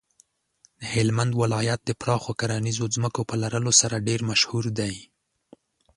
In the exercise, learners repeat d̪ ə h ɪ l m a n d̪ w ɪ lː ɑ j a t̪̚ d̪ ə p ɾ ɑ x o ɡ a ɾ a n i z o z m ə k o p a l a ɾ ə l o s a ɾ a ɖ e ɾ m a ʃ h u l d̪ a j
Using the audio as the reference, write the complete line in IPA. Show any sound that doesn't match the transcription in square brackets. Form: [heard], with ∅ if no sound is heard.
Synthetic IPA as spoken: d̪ ə h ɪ l m a n d̪ w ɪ [l] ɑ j a t̪̚ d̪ ə p ɾ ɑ x o [k] a ɾ a n i z o z m ə k o p [ə] l a ɾ ə l o s a ɾ a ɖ e ɾ m a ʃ h u [ɾ] d̪ a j